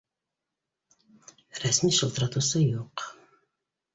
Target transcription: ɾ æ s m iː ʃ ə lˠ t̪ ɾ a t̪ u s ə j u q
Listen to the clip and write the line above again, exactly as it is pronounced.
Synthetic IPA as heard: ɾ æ s m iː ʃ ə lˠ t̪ ɾ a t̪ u s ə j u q

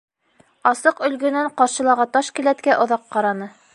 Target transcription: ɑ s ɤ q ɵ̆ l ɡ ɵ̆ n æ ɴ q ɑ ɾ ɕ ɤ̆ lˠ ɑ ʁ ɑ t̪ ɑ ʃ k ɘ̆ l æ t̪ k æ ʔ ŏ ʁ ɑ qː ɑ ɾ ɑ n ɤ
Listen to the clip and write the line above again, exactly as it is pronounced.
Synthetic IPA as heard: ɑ s ɤ q ɵ̆ l ɡ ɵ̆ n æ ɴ q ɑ ɾ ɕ ɤ̆ lˠ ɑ ʁ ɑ t̪ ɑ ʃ k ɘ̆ l æ t̪ k æ ʔ ŏ ð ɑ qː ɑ ɾ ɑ n ɤ

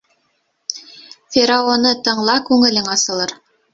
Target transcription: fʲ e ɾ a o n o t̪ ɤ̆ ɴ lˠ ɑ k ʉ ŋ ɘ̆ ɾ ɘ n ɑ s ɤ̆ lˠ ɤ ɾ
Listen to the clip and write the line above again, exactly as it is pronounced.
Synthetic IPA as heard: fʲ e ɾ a o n ɤ t̪ ɤ̆ ɴ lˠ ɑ k ʉ ŋ ɘ̆ l ɘ ŋ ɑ s ɤ̆ lˠ ɤ ɾ

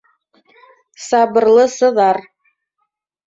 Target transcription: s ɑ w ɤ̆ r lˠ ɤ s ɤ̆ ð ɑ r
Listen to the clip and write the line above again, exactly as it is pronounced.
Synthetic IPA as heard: s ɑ b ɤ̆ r lˠ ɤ s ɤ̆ ð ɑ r

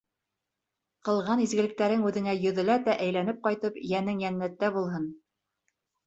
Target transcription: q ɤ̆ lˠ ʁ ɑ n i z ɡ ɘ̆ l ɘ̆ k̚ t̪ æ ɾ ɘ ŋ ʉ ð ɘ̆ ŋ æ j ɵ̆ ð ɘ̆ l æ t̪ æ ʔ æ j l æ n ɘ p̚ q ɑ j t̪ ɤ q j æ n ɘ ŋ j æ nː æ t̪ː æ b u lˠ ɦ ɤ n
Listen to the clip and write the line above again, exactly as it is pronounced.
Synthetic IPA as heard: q ɤ̆ lˠ ʁ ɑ n i z ɡ ɘ̆ l ɘ̆ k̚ t̪ æ ɾ ɘ ŋ ʉ ð ɘ̆ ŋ æ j ɵ̆ ð ɘ̆ l æ t̪ æ ʔ æ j l æ n ɘ p̚ q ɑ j t̪ ɤ p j æ n ɘ ŋ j æ nː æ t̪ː æ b u lˠ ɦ ɤ n

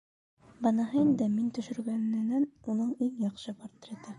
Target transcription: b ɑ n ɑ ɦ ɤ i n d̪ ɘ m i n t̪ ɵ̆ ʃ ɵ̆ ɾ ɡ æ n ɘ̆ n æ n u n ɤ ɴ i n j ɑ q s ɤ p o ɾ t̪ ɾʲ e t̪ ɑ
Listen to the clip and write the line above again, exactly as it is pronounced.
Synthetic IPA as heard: b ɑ n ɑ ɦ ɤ i n d̪ ɘ m i n t̪ ɵ̆ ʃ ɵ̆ ɾ ɡ æ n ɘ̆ n æ n u n ɤ ɴ i ŋ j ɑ q ʃ ɤ p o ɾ t̪ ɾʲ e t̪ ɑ

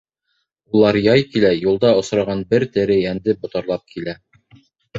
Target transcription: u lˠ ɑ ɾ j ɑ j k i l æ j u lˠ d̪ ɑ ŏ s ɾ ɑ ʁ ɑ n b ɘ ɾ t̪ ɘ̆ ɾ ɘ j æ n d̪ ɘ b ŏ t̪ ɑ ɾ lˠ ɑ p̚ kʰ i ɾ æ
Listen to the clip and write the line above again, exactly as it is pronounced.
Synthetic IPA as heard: u lˠ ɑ ɾ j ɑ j k i l æ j u lˠ d̪ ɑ ŏ s ɾ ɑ ʁ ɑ n b ɘ ɾ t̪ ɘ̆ ɾ ɘ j æ n d̪ ɘ b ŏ t̪ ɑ ɾ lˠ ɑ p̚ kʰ i l æ

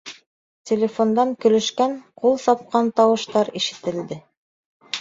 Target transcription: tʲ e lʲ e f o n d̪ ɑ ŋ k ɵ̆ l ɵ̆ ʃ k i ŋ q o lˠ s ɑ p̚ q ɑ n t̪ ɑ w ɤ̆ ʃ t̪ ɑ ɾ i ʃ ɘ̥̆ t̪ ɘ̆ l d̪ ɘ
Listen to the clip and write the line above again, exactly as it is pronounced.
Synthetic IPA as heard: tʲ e lʲ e f o n d̪ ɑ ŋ k ɵ̆ l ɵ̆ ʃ k æ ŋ q u lˠ s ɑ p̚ q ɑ n t̪ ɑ w ɤ̆ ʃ t̪ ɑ ɾ i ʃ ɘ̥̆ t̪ ɘ̆ l d̪ ɘ

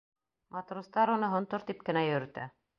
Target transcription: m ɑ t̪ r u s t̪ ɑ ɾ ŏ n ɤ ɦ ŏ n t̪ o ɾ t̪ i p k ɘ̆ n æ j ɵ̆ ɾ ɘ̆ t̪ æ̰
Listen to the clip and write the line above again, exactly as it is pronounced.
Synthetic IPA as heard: m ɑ t̪ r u s t̪ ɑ ɾ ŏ n ɤ ɦ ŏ n t̪ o ɾ t̪ i p k ɘ̆ n æ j ɵ̆ ɾ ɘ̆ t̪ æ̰

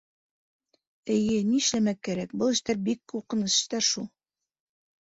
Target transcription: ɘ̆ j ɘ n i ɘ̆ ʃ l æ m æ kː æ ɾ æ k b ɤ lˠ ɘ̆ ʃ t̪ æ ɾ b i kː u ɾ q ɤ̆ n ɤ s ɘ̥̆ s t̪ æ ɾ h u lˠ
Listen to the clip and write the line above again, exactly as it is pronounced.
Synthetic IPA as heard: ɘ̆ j ɘ n i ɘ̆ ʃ l æ m æ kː æ ɾ æ k b ɤ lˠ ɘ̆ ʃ t̪ æ ɾ b i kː u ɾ q ɤ̆ n ɤ s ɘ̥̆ ʃ t̪ æ ɾ ʃ u lˠ

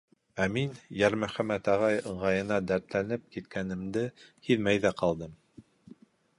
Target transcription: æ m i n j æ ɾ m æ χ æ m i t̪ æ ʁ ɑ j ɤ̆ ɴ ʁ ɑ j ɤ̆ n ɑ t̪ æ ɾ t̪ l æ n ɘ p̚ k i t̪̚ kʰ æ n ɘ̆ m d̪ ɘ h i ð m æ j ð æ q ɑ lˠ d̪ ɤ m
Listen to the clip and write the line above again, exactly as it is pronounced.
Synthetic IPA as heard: æ m i n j æ ɾ m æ χ æ m æ t̪ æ ʁ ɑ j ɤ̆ ɴ ʁ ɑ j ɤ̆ n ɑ d̪ æ ɾ t̪ l æ n ɘ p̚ k i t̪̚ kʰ æ n ɘ̆ m d̪ ɘ h i ð m æ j ð æ q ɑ lˠ d̪ ɤ m

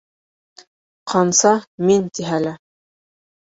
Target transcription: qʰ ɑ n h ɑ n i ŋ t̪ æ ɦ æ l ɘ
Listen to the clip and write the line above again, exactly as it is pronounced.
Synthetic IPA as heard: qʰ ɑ n s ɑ m i n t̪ i ɦ æ l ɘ

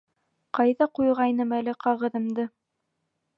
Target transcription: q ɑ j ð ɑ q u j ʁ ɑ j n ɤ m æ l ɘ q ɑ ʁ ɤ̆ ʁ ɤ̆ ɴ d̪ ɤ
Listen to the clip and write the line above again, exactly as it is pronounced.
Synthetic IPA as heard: q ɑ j ð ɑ q u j ʁ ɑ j n ɤ m æ l ɘ q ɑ ʁ ɤ̆ ð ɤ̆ m d̪ ɤ

